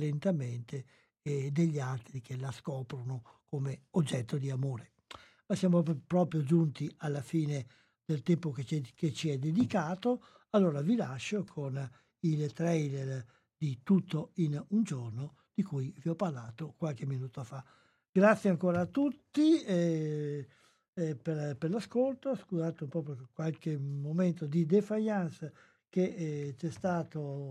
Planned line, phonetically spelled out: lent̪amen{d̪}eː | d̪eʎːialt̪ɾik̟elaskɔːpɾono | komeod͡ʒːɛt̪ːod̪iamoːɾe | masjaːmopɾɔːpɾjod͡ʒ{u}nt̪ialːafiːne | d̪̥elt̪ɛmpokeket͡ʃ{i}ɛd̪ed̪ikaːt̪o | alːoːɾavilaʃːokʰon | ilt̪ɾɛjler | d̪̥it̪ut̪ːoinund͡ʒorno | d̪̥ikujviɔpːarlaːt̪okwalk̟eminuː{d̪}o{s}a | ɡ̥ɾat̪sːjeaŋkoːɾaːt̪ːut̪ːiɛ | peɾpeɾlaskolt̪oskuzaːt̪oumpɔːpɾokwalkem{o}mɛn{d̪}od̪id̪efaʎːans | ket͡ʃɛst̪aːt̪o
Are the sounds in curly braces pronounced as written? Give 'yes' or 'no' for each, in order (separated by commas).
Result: no, yes, yes, no, no, yes, no